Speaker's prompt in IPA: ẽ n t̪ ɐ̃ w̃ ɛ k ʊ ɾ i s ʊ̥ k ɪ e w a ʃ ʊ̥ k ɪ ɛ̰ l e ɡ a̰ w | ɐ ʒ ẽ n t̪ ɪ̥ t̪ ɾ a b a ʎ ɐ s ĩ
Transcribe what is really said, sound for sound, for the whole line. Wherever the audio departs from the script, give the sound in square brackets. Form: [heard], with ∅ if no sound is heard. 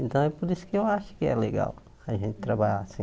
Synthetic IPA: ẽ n t̪ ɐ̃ w̃ ɛ [p] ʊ ɾ i s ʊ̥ k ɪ e w a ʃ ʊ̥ k ɪ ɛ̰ l e ɡ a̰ w | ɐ ʒ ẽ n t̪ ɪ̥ t̪ ɾ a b a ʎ [a] s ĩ